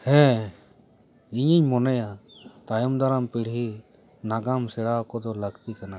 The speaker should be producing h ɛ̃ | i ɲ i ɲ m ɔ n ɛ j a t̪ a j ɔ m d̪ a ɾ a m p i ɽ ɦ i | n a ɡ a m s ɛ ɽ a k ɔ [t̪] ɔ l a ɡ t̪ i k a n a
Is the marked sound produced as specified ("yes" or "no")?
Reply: no